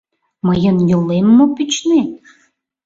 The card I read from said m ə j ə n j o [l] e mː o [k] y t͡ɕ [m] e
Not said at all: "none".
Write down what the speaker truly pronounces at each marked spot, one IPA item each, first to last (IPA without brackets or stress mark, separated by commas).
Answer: l, p, n